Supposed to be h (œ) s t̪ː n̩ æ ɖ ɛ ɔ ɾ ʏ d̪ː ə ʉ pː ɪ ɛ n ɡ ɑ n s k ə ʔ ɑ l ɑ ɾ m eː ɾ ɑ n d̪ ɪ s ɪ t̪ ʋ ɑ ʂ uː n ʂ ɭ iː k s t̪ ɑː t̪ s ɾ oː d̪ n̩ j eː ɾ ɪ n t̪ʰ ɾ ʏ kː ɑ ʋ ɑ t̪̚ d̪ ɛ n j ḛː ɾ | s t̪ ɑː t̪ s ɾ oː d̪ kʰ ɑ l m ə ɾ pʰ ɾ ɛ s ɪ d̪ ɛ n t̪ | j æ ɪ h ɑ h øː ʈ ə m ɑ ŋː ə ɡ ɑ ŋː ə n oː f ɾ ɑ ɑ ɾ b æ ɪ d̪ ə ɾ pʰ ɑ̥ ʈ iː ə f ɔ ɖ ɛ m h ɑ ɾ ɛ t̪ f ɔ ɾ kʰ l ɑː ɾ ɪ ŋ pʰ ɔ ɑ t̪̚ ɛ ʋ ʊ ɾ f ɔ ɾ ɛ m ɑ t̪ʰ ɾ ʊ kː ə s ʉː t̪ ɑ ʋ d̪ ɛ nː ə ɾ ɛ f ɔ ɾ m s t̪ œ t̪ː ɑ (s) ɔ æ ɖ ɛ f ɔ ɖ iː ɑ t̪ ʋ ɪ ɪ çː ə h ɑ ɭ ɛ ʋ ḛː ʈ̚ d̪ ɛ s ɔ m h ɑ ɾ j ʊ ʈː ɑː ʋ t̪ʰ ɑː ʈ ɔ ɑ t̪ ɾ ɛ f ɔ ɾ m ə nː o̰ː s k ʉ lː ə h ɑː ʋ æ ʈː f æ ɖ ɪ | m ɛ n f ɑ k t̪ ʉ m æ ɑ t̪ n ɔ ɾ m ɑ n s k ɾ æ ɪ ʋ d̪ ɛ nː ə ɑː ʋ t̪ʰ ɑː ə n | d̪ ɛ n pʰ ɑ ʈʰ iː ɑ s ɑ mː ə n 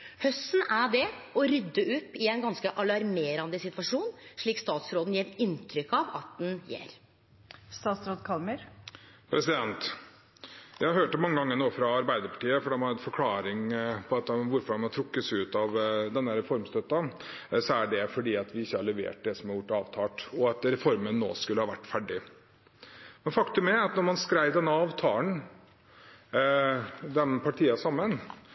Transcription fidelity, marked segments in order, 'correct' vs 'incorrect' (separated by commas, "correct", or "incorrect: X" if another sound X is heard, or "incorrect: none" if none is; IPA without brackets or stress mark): correct, correct